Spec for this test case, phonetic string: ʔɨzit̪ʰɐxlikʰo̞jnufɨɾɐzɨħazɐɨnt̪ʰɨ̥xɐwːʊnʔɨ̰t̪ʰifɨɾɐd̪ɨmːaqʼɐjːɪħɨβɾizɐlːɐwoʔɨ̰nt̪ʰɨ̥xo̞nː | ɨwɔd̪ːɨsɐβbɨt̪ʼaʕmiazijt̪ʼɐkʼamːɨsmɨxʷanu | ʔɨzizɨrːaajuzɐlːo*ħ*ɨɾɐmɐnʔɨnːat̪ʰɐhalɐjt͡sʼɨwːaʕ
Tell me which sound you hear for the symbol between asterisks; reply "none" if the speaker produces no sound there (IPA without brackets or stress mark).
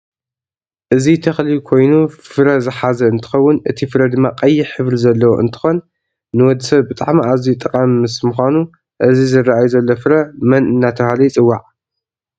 f